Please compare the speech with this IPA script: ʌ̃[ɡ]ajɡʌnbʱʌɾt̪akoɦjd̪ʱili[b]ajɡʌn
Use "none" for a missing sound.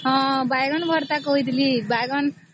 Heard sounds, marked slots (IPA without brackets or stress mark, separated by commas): b, b